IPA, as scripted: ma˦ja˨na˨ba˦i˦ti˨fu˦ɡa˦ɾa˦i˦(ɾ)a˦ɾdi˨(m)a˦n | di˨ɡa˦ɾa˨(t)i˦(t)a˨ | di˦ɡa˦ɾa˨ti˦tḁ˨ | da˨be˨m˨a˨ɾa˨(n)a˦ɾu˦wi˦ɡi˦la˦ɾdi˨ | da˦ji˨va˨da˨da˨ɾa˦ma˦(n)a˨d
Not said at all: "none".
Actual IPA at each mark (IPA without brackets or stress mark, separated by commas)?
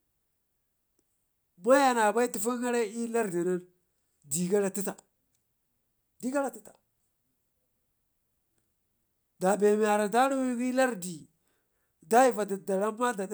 l, n, t, t, d, d